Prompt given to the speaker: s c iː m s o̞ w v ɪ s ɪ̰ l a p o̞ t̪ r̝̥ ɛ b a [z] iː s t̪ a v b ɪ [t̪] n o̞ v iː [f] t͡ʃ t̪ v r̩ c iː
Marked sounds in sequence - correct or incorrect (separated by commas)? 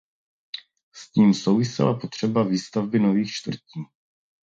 incorrect, incorrect, incorrect